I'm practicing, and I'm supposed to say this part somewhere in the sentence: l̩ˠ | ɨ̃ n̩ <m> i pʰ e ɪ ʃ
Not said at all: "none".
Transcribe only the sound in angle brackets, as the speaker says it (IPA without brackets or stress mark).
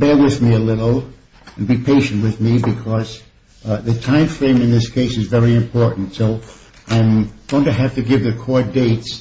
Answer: b